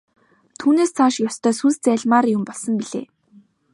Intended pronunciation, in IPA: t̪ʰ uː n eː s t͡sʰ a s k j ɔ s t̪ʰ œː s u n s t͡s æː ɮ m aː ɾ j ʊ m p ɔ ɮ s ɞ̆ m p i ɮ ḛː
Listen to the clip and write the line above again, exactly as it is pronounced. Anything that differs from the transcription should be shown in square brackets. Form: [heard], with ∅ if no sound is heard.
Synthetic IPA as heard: t̪ʰ uː n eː s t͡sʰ a [ʃ] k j ɔ s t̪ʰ œː s u n s t͡s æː ɮ m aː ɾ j ʊ m p ɔ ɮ s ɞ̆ m p i ɮ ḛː